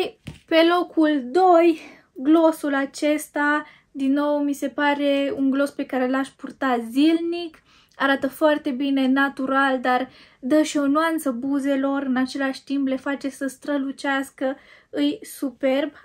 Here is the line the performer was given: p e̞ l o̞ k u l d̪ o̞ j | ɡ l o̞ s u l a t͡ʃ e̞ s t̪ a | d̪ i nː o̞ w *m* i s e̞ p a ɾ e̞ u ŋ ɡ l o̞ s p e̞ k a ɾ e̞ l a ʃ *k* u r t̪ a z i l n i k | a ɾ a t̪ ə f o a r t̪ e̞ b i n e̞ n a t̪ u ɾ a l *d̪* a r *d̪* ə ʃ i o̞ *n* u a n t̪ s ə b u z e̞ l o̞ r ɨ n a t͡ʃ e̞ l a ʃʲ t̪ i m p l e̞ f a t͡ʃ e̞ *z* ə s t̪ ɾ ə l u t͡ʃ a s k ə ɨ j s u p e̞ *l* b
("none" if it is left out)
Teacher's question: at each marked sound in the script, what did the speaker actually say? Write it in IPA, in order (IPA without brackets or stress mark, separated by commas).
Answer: m, p, d̪, d̪, n, s, r